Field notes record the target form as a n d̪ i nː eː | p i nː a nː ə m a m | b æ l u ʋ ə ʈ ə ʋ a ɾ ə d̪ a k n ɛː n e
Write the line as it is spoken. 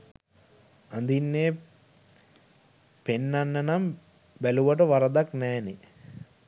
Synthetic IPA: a n d̪ i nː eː | p e nː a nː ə n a m | b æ l u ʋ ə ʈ ə ʋ a ɾ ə d̪ a k n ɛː n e